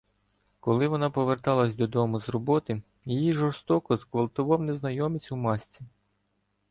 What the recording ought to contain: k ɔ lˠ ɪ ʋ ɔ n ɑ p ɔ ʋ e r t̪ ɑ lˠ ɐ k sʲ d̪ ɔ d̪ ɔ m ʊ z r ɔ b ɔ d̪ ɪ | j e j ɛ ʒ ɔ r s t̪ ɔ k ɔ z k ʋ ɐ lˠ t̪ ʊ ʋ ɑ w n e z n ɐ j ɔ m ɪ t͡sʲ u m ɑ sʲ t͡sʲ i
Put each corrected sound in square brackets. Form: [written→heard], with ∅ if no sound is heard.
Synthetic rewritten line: k ɔ lˠ ɪ ʋ ɔ n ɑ p ɔ ʋ e r t̪ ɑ lˠ ɐ [k→∅] sʲ d̪ ɔ d̪ ɔ m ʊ z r ɔ b ɔ [d̪→t̪] ɪ | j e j [ɛ→i] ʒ ɔ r s t̪ ɔ k ɔ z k ʋ ɐ lˠ t̪ ʊ ʋ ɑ w n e z n ɐ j ɔ m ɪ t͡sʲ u m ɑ sʲ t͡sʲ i